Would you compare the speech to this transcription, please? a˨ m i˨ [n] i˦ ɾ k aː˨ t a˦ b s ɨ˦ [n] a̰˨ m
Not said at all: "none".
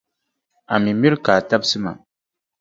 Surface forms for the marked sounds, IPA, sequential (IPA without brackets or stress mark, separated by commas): m, m